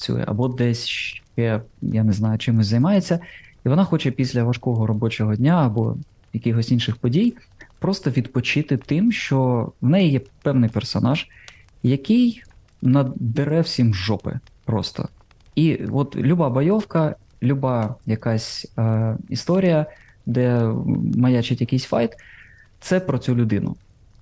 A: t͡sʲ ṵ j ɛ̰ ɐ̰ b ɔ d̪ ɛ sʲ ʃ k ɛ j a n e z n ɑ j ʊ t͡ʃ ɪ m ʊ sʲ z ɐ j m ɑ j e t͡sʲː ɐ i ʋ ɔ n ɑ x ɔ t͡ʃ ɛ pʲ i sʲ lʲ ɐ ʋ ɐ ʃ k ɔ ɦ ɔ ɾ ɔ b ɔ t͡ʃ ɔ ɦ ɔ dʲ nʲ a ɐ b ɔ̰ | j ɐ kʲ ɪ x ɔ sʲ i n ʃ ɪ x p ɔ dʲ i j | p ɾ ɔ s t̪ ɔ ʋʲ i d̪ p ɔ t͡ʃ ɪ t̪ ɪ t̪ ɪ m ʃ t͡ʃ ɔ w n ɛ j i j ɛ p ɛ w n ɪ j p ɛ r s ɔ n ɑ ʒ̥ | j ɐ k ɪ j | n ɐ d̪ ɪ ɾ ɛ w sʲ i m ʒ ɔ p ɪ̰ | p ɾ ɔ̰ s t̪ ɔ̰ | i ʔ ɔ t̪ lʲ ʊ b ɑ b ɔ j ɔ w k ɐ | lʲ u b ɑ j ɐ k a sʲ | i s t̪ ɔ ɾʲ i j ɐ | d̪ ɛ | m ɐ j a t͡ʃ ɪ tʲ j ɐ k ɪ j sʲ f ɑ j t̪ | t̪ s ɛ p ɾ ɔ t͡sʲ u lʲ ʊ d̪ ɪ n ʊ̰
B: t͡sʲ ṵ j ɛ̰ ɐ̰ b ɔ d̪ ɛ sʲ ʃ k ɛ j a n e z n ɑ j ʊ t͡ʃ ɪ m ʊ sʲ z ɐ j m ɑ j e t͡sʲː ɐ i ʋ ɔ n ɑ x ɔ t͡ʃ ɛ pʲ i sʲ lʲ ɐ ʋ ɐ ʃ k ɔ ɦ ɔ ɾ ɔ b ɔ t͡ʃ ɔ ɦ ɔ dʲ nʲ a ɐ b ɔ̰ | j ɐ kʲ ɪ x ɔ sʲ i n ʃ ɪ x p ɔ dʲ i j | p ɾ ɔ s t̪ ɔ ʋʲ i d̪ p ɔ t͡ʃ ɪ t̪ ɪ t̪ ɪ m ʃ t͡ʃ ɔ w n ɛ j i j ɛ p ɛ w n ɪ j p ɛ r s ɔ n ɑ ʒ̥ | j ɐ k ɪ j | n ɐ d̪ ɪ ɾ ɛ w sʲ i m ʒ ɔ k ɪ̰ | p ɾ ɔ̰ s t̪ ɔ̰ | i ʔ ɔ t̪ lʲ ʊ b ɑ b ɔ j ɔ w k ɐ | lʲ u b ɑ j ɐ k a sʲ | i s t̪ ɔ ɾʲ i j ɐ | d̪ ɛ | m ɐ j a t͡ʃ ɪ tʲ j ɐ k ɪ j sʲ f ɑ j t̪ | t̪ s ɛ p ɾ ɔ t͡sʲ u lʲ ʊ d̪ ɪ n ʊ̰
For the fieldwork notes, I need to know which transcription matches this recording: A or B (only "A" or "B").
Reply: A